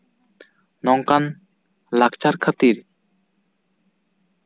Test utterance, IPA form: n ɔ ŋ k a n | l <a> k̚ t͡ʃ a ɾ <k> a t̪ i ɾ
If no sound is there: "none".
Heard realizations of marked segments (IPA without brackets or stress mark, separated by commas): a, kʰ